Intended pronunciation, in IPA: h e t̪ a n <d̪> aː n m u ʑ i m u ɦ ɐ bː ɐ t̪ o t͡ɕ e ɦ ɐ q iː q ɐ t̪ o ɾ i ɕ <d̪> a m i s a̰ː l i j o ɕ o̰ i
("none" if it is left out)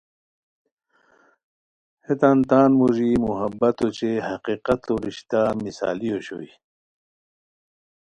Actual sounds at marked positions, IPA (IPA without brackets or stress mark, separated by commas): t̪, t̪